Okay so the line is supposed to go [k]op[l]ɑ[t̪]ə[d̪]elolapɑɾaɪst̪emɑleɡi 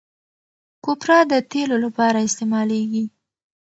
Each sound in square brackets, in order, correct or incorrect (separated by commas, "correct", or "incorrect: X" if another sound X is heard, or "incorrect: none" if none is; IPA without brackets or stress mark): correct, incorrect: ɾ, incorrect: d̪, incorrect: t̪